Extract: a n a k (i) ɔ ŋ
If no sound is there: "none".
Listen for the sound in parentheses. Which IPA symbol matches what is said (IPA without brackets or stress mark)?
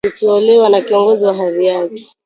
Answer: i